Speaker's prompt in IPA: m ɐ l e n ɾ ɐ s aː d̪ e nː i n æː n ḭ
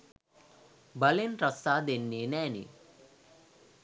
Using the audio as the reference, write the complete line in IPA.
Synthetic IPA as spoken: b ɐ l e n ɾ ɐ s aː d̪ e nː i n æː n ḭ